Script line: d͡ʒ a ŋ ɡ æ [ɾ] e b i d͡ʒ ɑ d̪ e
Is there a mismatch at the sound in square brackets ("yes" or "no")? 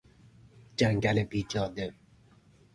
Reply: yes